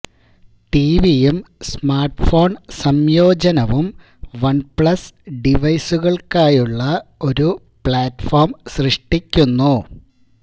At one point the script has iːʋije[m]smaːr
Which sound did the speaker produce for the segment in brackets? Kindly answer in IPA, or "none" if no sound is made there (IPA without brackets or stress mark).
m